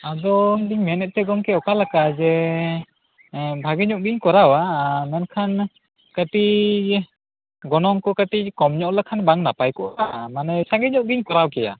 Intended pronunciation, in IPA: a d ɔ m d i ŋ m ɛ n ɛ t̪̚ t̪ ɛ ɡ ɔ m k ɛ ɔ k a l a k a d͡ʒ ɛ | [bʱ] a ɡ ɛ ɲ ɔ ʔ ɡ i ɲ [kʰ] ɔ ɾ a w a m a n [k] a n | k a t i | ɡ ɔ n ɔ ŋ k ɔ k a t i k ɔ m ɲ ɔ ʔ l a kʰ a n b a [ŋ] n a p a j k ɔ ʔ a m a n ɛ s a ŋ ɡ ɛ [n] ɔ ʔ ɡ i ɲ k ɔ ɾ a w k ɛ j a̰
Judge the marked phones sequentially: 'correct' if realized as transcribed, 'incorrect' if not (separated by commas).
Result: correct, incorrect, incorrect, correct, incorrect